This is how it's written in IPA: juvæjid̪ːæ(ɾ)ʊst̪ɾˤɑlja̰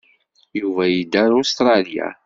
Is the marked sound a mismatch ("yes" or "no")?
no